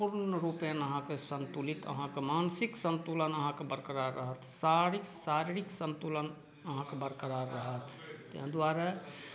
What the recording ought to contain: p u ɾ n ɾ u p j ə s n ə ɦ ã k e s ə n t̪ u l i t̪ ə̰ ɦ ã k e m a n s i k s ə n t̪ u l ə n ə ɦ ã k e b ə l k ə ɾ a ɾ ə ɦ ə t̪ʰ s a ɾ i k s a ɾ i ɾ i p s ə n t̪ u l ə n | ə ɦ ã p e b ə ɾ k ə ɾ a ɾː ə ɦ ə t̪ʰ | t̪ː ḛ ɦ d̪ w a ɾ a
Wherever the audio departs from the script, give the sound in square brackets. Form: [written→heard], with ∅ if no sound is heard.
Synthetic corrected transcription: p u ɾ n ɾ u p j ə [s→∅] n ə ɦ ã k e s ə n t̪ u l i t̪ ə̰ ɦ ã k e m a n s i k s ə n t̪ u l ə n ə ɦ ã k e b ə [l→ɾ] k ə ɾ a ɾ ə ɦ ə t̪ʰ s a ɾ i k s a ɾ i ɾ i [p→k] s ə n t̪ u l ə n | ə ɦ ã [p→k] e b ə ɾ k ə ɾ a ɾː ə ɦ ə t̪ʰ | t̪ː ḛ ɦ d̪ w a ɾ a